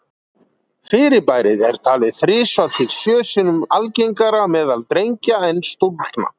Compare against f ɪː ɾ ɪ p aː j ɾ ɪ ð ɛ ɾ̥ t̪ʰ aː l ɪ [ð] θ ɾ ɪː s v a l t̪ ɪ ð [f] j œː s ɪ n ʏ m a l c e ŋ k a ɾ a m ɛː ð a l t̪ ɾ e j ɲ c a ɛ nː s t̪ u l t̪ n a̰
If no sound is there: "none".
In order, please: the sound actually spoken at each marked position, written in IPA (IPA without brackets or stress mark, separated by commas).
ð, s